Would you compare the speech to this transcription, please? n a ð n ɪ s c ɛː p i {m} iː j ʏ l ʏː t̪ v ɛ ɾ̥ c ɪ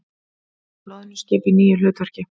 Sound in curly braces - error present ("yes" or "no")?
yes